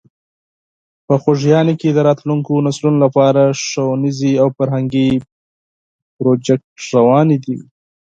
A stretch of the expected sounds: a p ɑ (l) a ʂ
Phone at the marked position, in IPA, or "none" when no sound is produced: ɾ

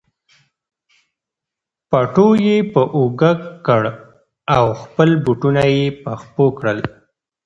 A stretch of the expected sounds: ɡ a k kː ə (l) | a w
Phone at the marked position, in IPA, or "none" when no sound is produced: ɽ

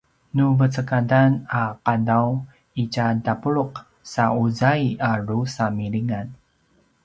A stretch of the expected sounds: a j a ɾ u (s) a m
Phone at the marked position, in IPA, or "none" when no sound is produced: s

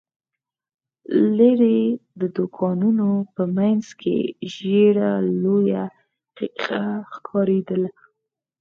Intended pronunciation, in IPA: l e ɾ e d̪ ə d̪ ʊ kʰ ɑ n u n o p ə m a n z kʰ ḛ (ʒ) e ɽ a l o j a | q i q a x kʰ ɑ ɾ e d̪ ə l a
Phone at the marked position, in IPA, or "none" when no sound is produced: ʒ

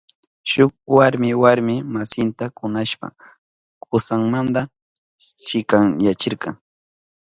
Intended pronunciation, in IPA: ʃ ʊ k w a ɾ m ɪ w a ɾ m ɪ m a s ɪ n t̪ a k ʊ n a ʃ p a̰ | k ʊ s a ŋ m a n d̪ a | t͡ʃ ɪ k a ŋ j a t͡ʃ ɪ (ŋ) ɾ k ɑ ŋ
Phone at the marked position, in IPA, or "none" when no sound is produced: none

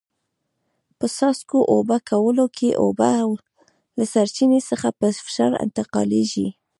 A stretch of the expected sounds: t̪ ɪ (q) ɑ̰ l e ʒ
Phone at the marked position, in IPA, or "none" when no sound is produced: q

